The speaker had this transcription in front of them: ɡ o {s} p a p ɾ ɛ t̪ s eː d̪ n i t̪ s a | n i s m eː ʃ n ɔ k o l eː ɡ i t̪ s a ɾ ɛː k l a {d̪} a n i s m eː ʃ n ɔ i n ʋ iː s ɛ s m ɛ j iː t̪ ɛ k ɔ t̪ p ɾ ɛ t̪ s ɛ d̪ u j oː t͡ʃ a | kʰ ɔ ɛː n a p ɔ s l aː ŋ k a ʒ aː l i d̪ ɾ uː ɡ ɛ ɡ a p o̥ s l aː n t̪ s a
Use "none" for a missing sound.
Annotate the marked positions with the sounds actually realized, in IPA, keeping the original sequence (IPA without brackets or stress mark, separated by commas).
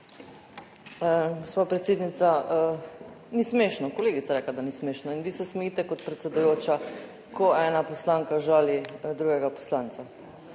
s, d̪